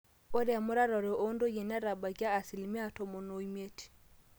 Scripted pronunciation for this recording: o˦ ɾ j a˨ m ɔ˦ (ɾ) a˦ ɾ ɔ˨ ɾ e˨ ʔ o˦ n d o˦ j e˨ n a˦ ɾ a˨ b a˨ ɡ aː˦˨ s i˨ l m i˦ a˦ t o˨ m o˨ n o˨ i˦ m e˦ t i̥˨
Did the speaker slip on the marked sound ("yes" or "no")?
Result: no